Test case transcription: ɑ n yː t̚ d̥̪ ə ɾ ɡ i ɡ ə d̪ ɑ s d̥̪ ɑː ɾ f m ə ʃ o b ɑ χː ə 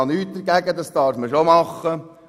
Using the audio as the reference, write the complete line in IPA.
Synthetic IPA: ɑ n yː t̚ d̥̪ ə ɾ ɡ æ ɡ ə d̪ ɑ s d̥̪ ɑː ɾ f m ə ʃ o m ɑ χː ə